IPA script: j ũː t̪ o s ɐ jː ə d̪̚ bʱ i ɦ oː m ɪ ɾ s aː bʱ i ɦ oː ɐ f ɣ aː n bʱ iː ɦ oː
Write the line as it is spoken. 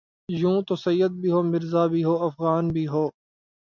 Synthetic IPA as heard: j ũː t̪ o s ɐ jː ə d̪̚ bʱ i ɦ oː m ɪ ɾ z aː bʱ i ɦ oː ɐ f ɣ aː n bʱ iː ɦ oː

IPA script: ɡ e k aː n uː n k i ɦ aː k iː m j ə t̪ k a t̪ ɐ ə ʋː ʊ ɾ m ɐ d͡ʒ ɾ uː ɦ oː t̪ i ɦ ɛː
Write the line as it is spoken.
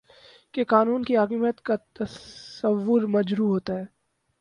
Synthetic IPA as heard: k e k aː n uː n k i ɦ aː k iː m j ə t̪ k a t̪ ɐ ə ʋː ʊ ɾ m ɐ d͡ʒ ɾ uː ɦ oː t̪ a ɦ ɛː

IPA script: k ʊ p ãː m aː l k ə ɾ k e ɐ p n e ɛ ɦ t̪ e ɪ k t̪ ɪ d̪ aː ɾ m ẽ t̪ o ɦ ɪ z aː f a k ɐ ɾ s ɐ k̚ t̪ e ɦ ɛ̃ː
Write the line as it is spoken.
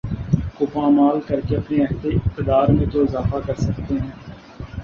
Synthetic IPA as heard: k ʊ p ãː m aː l k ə ɾ k e ɐ p n e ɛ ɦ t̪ e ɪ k t̪ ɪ d̪ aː ɾ m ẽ t̪ o ɪ z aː f a k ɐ ɾ s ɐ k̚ t̪ e ɦ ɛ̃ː

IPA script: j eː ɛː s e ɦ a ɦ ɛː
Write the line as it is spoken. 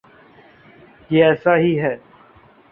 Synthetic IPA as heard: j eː ɛː s a ɦ i ɦ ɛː

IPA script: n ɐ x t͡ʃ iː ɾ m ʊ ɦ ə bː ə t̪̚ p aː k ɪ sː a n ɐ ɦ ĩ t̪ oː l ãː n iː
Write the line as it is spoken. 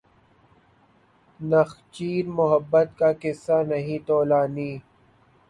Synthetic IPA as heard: n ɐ x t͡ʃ iː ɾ m ʊ ɦ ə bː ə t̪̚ k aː k ɪ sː a n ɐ ɦ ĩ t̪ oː l aː n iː

